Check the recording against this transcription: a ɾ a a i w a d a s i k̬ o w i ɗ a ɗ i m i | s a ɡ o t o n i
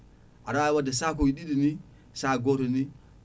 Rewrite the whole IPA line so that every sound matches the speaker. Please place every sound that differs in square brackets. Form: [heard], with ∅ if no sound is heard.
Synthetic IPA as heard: a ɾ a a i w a d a s [a] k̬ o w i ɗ [i] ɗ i [n] i | s a ɡ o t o n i